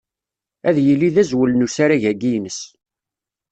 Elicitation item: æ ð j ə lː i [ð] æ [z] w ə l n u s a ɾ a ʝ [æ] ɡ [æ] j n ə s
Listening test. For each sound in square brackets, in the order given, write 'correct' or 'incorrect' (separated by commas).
correct, correct, correct, incorrect